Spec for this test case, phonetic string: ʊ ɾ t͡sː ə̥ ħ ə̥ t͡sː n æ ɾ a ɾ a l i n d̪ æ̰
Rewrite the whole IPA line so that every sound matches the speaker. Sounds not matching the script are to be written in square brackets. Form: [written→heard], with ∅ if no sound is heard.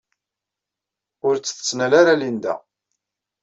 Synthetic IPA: ʊ ɾ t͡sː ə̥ [ħ→θ] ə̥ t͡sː n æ [ɾ→l] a ɾ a l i n d̪ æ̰